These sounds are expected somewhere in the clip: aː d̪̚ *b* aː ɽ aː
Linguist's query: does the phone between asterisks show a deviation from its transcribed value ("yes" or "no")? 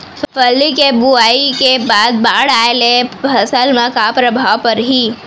no